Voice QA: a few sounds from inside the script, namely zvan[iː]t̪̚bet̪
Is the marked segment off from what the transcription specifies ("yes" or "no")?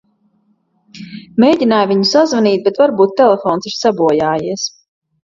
no